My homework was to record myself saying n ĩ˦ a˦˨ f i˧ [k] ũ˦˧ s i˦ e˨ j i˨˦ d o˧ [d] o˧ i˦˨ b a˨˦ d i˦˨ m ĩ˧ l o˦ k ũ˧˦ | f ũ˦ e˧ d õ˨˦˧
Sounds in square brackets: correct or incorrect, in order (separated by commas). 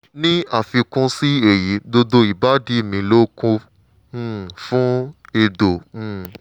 correct, correct